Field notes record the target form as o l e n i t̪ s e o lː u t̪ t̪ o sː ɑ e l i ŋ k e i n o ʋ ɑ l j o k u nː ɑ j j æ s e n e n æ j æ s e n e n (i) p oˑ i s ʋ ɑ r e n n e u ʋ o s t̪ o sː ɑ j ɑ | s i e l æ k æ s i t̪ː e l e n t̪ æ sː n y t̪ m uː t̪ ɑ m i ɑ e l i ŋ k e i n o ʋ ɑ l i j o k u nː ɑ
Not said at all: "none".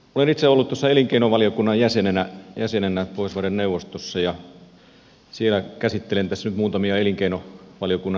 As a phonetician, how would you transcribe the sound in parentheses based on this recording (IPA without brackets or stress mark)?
æ